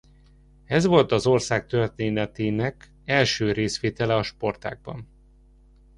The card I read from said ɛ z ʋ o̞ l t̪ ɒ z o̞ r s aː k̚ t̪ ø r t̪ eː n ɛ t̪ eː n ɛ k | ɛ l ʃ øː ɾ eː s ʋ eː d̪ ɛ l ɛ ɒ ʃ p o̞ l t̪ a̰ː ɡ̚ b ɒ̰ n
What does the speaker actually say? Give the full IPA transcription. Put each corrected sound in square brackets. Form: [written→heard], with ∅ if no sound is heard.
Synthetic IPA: ɛ z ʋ o̞ l t̪ ɒ z o̞ r s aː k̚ t̪ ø r t̪ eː n ɛ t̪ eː n ɛ k | ɛ l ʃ øː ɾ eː s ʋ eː [d̪→t̪] ɛ l ɛ ɒ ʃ p o̞ [l→r] t̪ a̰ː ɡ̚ b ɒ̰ n